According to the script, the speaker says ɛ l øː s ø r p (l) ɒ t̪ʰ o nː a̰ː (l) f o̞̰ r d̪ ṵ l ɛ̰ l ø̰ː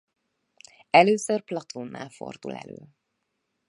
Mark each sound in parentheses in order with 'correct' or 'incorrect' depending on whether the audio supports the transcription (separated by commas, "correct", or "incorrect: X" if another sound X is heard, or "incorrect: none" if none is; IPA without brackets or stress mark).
correct, correct